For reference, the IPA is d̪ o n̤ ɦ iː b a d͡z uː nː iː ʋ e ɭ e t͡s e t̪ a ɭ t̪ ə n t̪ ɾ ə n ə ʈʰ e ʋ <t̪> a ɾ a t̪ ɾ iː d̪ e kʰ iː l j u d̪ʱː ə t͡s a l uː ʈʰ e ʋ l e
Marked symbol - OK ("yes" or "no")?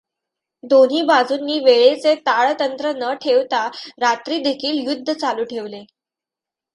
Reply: yes